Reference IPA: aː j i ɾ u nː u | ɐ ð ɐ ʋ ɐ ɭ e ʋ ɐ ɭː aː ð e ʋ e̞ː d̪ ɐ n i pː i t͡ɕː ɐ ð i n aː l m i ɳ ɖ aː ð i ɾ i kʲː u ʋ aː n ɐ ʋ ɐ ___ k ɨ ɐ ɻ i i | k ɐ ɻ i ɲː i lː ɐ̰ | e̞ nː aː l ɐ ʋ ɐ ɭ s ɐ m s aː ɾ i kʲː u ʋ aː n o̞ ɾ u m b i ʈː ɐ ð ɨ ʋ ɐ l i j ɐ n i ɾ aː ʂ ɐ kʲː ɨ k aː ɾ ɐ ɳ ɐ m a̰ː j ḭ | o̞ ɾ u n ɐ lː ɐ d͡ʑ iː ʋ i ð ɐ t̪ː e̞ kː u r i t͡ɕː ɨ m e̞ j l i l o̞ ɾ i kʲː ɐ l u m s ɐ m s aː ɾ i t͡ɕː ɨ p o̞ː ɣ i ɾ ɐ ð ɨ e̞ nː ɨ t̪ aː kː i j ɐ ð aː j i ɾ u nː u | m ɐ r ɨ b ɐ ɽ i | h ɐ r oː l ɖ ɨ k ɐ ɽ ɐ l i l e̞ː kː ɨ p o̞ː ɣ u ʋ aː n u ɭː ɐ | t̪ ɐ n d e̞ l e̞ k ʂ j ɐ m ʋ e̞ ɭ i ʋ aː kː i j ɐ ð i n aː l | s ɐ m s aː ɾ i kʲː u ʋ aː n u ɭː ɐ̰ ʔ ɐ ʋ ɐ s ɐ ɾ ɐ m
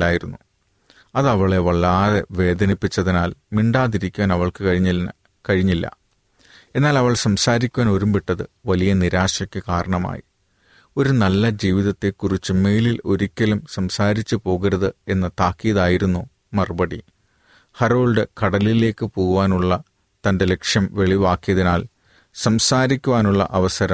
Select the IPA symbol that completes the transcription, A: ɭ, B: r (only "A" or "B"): A